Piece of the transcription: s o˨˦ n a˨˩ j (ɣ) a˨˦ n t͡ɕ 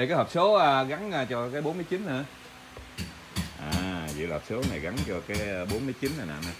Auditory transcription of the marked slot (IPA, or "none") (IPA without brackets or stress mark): ɣ